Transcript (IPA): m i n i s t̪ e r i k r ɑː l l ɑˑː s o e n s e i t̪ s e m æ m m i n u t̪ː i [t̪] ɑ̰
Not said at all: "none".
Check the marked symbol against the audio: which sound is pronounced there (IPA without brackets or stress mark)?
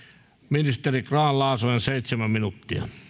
none